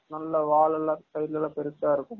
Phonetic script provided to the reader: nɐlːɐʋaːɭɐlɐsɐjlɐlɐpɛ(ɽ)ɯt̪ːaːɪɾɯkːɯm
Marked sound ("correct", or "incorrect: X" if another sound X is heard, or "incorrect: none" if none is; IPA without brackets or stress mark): incorrect: ɾ